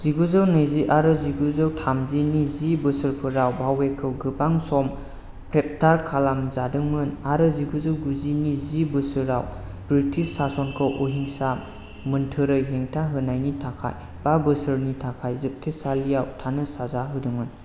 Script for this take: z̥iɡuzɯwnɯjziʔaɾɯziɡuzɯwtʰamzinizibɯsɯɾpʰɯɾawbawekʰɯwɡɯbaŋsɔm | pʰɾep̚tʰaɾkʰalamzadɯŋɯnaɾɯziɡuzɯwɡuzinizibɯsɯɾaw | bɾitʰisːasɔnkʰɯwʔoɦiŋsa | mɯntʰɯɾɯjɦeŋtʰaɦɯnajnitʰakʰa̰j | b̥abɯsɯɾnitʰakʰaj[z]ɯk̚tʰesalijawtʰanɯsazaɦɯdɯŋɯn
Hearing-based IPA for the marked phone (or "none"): z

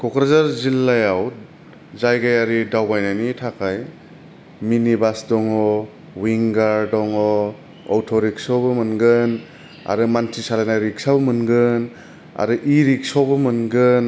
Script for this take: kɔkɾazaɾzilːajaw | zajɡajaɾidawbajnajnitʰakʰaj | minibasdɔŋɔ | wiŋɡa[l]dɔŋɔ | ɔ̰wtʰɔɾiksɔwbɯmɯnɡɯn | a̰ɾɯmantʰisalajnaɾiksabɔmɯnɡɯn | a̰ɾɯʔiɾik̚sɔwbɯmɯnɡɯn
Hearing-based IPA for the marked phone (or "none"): ɾ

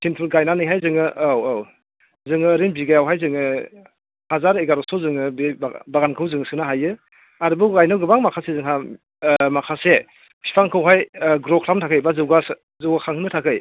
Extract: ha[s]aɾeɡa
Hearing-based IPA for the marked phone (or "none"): z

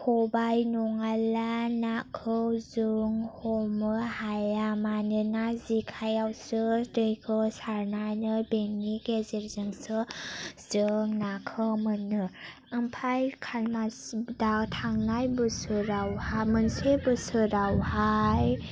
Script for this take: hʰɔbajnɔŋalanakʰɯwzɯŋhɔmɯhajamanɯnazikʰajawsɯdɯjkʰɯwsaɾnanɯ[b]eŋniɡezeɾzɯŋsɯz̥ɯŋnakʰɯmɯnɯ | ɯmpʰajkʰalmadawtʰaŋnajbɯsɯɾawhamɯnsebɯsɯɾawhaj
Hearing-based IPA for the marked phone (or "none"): b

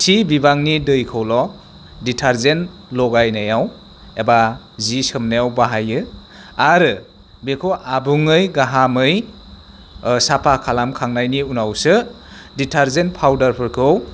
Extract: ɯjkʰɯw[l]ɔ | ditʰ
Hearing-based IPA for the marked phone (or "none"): l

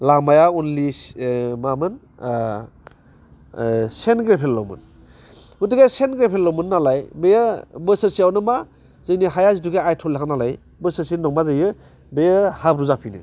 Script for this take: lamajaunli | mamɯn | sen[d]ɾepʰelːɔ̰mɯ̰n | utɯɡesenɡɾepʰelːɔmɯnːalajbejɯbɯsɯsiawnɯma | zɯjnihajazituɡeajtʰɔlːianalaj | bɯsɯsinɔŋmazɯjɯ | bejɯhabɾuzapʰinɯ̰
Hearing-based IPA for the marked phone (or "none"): ɡ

